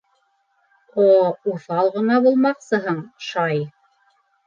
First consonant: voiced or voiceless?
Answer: voiceless